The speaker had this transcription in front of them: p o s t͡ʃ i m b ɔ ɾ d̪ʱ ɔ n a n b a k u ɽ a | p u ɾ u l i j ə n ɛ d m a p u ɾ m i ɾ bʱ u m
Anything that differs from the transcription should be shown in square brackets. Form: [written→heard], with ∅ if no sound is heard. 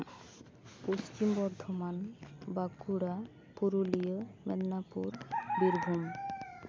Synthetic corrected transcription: p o s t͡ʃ i m b ɔ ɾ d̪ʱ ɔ [n→m] a n b a k u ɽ a | p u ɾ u l i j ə [n→m] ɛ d [m→n] a p u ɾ [m→b] i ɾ bʱ u m